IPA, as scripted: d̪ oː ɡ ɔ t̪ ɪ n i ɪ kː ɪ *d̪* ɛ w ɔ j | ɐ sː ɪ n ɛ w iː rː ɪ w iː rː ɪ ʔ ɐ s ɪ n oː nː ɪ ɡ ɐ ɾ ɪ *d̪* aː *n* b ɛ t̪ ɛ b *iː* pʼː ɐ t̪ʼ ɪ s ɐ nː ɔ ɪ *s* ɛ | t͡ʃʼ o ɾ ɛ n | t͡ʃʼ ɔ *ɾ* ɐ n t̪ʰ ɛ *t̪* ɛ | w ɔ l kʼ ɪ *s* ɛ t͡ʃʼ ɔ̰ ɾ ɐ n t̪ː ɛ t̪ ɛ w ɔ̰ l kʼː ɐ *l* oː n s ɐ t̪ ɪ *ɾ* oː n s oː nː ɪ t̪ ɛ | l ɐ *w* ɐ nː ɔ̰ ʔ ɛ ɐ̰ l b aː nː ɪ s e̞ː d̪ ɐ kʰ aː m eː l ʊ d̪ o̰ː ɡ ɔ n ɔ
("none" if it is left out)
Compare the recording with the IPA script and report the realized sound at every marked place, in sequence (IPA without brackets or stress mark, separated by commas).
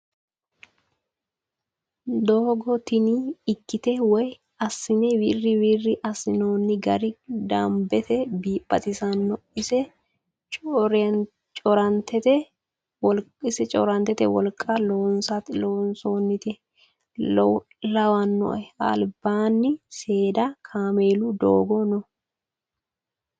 t̪, d̪, m, iː, s, ɾ, t̪, s, l, l, w